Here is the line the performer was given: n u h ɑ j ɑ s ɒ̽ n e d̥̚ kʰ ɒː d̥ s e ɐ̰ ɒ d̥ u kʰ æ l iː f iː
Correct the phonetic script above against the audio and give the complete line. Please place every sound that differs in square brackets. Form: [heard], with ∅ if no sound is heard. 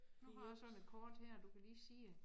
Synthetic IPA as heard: n u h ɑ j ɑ s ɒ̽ n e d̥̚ kʰ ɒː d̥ [h] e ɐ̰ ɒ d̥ u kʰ æ l iː [s] iː